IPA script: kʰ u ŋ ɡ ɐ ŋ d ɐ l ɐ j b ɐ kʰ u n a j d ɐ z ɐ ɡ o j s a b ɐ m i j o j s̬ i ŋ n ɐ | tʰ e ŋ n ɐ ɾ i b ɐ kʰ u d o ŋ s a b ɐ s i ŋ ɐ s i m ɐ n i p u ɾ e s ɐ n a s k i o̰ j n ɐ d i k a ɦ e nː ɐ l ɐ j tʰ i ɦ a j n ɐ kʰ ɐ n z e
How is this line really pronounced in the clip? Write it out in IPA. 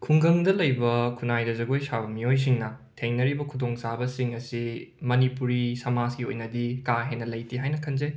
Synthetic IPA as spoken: kʰ u ŋ ɡ ɐ ŋ d ɐ l ɐ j b ɐ kʰ u n a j d ɐ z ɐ ɡ o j s a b ɐ m i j o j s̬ i ŋ n ɐ | tʰ e ŋ n ɐ ɾ i b ɐ kʰ u d o ŋ s a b ɐ s i ŋ ɐ s i m ɐ n i p u ɾ i s ɐ m a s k i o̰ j n ɐ d i k a ɦ e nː ɐ l ɐ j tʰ i ɦ a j n ɐ kʰ ɐ n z e